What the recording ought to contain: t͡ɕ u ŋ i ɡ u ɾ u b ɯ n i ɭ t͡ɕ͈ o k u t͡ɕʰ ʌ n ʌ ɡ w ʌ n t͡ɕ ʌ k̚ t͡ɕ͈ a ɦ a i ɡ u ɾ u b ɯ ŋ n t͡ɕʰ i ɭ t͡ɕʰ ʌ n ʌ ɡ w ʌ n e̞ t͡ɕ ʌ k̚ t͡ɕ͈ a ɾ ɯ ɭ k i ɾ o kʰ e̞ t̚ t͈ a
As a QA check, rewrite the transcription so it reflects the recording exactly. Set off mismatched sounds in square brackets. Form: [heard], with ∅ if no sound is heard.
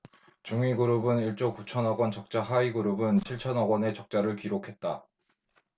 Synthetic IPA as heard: t͡ɕ u ŋ i ɡ u ɾ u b ɯ n i ɭ t͡ɕ͈ o k u t͡ɕʰ ʌ n ʌ ɡ w ʌ n t͡ɕ ʌ k̚ t͡ɕ͈ a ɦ a i ɡ u ɾ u b ɯ [∅] n t͡ɕʰ i ɭ t͡ɕʰ ʌ n ʌ ɡ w ʌ n e̞ t͡ɕ ʌ k̚ t͡ɕ͈ a ɾ ɯ ɭ k i ɾ o kʰ e̞ t̚ t͈ a